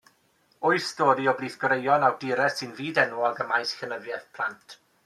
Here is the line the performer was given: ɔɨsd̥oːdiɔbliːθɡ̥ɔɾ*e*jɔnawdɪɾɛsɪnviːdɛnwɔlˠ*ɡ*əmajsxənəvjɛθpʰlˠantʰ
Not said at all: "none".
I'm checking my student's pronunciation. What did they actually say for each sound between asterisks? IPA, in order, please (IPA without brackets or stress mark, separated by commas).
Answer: e, ɡ